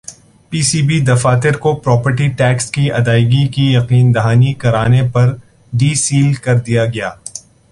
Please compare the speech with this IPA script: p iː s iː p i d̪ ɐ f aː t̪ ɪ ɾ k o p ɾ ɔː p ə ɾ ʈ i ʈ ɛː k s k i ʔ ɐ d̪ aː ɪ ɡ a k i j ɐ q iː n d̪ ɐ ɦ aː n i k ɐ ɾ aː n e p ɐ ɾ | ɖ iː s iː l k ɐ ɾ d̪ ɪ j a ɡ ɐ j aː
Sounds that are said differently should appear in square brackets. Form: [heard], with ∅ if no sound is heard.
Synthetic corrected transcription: p iː s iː [b] i d̪ ɐ f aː t̪ ɪ ɾ k o p ɾ ɔː p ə ɾ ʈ i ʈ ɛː k s k i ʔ ɐ d̪ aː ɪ ɡ [i] k i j ɐ q iː n d̪ ɐ ɦ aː n i k ɐ ɾ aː n e p ɐ ɾ | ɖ iː s iː l k ɐ ɾ d̪ [i] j a ɡ ɐ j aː